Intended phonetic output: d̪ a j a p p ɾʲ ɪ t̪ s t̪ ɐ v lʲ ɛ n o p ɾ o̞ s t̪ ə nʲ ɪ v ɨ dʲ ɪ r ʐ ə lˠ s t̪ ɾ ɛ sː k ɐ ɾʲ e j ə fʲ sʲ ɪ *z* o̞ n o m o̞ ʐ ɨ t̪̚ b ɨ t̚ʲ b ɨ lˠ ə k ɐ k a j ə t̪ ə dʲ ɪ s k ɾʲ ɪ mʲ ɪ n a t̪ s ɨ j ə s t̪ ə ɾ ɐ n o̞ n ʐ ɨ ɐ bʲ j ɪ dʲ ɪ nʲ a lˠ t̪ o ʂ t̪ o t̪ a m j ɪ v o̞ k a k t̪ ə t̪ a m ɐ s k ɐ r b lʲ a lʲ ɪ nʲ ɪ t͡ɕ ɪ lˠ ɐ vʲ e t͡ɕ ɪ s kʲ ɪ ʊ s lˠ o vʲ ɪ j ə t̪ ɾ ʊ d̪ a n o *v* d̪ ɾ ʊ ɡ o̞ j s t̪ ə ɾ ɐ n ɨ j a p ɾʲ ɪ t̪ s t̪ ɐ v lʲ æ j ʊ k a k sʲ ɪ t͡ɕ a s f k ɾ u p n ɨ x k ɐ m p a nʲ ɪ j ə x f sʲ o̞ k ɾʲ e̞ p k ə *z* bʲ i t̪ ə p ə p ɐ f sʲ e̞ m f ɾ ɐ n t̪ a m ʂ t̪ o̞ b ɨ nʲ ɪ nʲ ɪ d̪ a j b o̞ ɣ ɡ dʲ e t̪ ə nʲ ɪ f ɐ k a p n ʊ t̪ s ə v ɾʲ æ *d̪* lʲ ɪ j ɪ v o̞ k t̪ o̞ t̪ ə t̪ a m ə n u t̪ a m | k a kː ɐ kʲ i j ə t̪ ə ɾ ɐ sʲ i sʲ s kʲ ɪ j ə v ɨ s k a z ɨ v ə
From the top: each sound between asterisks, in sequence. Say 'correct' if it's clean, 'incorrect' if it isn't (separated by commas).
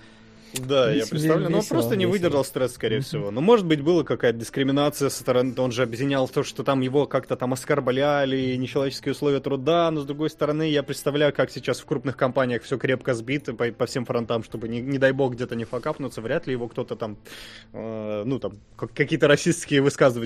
incorrect, incorrect, correct, incorrect